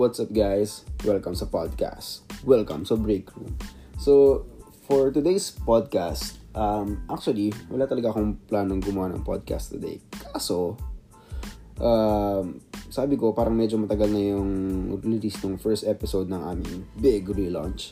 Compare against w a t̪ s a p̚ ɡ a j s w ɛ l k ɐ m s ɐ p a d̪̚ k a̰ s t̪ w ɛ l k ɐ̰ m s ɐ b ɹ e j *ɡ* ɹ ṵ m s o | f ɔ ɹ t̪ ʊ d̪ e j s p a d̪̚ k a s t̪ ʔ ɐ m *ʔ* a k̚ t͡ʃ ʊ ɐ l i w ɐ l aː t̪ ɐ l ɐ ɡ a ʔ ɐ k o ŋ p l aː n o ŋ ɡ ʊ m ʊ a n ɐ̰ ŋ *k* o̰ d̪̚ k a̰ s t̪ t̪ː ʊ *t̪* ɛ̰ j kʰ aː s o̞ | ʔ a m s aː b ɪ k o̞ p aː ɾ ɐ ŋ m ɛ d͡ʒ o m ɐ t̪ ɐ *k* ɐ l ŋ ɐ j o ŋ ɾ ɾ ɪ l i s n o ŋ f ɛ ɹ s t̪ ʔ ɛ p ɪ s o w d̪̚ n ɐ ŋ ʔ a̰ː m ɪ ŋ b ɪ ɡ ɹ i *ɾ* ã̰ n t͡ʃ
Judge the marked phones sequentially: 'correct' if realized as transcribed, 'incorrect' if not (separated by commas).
incorrect, correct, incorrect, incorrect, incorrect, incorrect